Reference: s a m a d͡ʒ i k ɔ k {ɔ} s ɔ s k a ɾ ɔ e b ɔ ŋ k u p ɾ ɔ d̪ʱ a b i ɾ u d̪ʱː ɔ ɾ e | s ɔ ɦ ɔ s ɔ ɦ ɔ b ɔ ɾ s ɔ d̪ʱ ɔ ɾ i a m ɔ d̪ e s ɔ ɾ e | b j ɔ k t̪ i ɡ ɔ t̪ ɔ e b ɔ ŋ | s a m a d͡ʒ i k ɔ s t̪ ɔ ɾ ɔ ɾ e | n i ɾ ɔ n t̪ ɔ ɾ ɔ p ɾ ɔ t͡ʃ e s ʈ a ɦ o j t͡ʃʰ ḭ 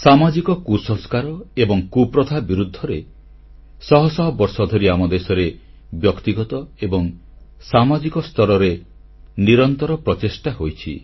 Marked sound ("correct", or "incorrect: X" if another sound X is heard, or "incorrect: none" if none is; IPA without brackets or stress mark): incorrect: u